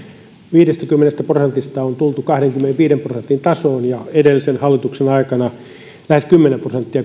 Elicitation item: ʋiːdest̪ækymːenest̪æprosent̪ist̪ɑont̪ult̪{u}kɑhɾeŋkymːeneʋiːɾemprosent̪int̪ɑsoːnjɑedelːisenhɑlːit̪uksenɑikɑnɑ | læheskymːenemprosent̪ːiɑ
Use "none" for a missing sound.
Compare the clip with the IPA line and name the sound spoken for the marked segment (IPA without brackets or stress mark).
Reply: u